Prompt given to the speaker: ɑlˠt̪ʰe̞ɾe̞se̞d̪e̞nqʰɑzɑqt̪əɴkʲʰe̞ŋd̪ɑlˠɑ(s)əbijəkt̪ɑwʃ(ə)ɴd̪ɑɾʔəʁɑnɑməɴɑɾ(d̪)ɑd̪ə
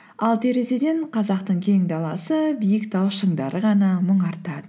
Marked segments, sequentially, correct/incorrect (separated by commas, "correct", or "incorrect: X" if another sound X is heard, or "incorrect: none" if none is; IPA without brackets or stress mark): correct, correct, incorrect: t̪